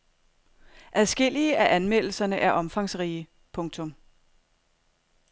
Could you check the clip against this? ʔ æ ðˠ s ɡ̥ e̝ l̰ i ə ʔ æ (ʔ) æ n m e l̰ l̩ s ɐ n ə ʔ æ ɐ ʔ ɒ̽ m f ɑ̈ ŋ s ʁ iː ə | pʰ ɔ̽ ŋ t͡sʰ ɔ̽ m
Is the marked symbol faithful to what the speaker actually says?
yes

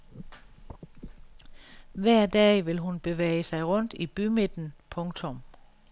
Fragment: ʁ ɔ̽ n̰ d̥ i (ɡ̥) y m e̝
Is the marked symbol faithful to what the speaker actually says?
no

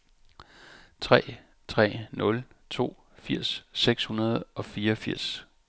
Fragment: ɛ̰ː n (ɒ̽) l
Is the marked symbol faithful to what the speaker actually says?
no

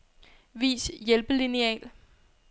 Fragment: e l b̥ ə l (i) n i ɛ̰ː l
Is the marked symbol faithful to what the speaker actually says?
yes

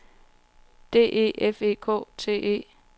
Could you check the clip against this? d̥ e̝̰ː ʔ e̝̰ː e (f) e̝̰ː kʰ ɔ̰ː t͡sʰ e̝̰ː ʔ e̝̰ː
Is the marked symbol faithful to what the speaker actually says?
yes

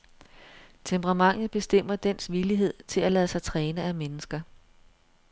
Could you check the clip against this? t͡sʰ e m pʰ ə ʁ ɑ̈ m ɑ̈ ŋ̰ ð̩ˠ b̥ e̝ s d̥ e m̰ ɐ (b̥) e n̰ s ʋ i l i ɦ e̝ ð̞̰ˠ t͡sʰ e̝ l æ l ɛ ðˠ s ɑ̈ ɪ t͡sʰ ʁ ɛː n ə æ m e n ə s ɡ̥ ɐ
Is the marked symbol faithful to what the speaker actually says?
no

